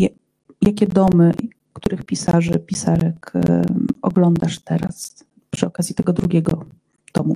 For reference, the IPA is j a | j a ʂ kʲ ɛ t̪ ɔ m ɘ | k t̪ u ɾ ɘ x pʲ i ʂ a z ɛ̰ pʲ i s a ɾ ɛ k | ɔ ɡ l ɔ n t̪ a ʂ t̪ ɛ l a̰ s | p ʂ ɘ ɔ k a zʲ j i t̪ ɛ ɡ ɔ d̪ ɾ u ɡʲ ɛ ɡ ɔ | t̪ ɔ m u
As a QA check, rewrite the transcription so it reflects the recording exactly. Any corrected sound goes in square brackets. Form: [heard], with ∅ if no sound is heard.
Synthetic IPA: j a | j a [∅] kʲ ɛ [d̪] ɔ m ɘ | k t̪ u ɾ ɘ x pʲ i [s] a [ʐ] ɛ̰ pʲ i s a ɾ ɛ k | ɔ ɡ l ɔ n [d̪] a ʂ t̪ ɛ [ɾ] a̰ s | p ʂ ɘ ɔ k a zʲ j i t̪ ɛ ɡ ɔ d̪ ɾ u ɡʲ ɛ ɡ ɔ | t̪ ɔ m u